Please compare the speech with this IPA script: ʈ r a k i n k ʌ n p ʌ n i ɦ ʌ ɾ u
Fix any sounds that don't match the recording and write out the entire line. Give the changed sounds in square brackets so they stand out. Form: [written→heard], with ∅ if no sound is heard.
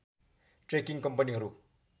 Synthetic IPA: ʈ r [a→e] k i [n→ŋ] k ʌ [n→m] p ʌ n i ɦ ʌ ɾ u